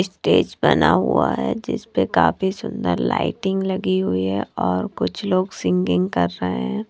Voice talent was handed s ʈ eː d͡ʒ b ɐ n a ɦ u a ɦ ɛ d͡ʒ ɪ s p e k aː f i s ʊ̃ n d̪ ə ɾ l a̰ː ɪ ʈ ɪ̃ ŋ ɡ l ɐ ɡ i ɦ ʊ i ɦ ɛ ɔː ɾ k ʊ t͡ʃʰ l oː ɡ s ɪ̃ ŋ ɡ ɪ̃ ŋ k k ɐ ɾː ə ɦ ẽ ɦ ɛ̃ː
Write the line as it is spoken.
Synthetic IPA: s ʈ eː d͡ʒ b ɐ n a ɦ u a ɦ ɛ d͡ʒ ɪ s p e k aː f i s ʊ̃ n d̪ ə ɾ l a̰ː ɪ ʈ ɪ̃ ŋ ɡ l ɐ ɡ i ɦ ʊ i ɦ ɛ ɔː ɾ k ʊ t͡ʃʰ l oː ɡ s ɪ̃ ŋ ɡ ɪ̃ ŋ ɡ k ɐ ɾː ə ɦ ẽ ɦ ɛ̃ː

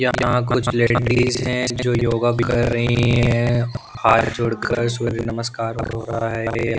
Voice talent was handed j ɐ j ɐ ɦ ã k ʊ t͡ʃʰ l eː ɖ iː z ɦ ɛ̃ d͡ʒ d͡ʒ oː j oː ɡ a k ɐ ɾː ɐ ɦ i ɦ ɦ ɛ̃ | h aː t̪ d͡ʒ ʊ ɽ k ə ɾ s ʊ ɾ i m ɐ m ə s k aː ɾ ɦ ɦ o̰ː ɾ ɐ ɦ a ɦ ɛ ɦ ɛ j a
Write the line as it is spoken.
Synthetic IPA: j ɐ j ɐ ɦ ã k ʊ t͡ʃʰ l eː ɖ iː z ɦ ɛ̃ d͡ʒ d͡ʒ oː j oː ɡ a k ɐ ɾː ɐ ɦ i ɦ ɦ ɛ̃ | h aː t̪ d͡ʒ ʊ ɽ k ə ɾ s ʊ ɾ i n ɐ m ə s k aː ɾ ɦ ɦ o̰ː ɾ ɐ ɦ a ɦ ɛ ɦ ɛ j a

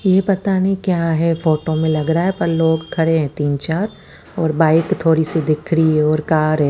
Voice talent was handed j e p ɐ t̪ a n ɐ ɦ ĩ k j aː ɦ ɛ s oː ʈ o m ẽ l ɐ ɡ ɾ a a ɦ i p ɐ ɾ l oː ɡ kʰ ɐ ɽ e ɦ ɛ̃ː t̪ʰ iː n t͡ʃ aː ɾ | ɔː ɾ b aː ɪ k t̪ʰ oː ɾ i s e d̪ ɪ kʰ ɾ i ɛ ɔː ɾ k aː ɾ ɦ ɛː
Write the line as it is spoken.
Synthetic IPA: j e p ɐ t̪ a n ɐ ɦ ĩ k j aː ɦ ɛ f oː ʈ o m ẽ l ɐ ɡ ɾ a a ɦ ɛ p ɐ ɾ l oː ɡ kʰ ɐ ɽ e ɦ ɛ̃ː t̪ iː n t͡ʃ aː ɾ | ɔː ɾ b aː ɪ k t̪ʰ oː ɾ i s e d̪ ɪ kʰ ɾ i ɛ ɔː ɾ k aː ɾ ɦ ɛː

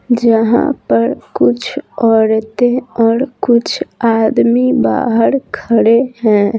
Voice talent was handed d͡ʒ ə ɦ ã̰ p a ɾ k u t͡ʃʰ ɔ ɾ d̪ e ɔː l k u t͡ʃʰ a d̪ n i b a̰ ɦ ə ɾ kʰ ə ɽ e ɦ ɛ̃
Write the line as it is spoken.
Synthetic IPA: d͡ʒ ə ɦ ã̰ p ə ɾ k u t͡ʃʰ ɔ ɾ t̪ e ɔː ɾ k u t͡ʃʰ a d̪ m i b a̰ ɦ ə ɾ kʰ ə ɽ e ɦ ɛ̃

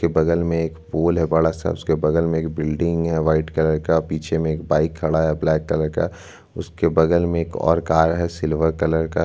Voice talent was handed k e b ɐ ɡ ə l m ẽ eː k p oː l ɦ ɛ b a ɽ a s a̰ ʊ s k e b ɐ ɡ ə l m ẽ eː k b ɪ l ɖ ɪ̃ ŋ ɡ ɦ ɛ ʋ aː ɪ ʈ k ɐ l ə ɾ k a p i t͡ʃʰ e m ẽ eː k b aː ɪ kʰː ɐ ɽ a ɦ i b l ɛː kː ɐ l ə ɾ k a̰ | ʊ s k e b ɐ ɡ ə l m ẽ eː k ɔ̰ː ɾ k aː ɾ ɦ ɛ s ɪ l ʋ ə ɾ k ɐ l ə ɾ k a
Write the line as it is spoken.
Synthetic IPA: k e b ɐ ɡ ə l m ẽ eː k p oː l ɦ ɛ b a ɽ a s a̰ ʊ s k e b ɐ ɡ ə l m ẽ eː k b ɪ l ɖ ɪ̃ ŋ ɡ ɦ ɛ ʋ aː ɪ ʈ k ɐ l ə ɾ k a p iː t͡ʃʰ e m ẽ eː k b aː ɪ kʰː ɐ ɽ a ɦ ɛ b l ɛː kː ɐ l ə ɾ k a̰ | ʊ s k e b ɐ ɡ ə l m ẽ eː k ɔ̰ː ɾ k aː ɾ ɦ ɛ s ɪ l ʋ ə ɾ k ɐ l ə ɾ k a

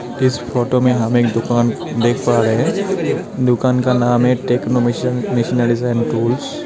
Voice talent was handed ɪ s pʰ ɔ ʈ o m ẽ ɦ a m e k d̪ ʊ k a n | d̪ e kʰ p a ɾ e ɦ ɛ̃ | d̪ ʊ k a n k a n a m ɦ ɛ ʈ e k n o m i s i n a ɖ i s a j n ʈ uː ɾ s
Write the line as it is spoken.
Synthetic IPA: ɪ s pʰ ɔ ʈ o m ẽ ɦ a m e k d̪ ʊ k a n | d̪ e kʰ p a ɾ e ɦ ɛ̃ | d̪ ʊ k a n k a n a m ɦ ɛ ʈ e k n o m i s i n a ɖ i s a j n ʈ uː l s

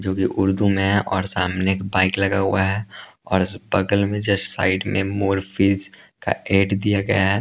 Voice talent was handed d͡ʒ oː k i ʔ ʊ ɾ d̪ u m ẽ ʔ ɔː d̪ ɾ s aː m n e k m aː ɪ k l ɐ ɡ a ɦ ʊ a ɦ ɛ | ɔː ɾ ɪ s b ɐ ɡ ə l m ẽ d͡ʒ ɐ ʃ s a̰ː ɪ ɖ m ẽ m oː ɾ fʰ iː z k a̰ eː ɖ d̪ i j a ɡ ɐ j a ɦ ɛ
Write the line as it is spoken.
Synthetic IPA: d͡ʒ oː k i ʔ ʊ ɾ d̪ u m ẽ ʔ ɔː ɾ s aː m n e k b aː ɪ k l ɐ ɡ a ɦ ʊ a ɦ ɛ | ɔː ɾ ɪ s b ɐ ɡ ə l m ẽ d͡ʒ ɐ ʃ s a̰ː ɪ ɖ m ẽ m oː ɾ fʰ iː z k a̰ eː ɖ d̪ i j a ɡ ɐ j a ɦ ɛ

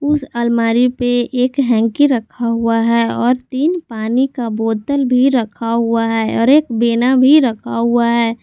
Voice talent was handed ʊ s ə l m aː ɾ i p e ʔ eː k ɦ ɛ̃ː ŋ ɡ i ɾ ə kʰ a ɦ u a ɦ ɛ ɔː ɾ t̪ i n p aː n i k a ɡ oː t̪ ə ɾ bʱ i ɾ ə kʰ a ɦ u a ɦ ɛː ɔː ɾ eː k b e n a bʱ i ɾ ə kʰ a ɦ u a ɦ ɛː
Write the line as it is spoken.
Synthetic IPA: ʊ s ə l m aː ɾ i p e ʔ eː k ɦ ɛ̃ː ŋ k i ɾ ə kʰ a ɦ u a ɦ ɛ ɔː ɾ t̪ iː n p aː n i k a b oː t̪ ə l bʱ i ɾ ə kʰ a ɦ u a ɦ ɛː ɔː ɾ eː k b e n a bʱ i ɾ ə kʰ a ɦ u a ɦ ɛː

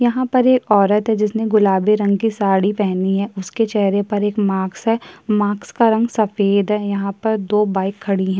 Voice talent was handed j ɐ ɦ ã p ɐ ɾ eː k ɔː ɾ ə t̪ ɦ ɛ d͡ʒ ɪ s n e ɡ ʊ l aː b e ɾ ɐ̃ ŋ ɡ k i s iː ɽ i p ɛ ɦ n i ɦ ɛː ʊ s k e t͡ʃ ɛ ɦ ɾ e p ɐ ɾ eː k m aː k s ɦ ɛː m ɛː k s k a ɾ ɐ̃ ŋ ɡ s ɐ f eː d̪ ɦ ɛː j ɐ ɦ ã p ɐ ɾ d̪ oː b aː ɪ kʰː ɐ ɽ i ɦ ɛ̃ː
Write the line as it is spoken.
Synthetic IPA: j ɐ ɦ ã p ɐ ɾ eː k ɔː ɾ ə t̪ ɦ ɛ d͡ʒ ɪ s n e ɡ ʊ l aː b e ɾ ɐ̃ ŋ ɡ k i s aː ɽ i p ɛ ɦ n i ɦ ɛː ʊ s k e t͡ʃ ɛ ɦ ɾ e p ɐ ɾ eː k m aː k s ɦ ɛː m aː k s k a ɾ ɐ̃ ŋ ɡ s ɐ f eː d̪ ɦ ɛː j ɐ ɦ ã p ɐ ɾ d̪ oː b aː ɪ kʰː ɐ ɽ i ɦ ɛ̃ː

